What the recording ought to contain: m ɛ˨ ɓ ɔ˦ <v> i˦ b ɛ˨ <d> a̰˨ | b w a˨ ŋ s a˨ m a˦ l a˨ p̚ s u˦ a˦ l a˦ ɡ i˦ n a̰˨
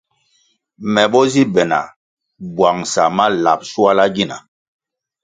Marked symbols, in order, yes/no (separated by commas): no, no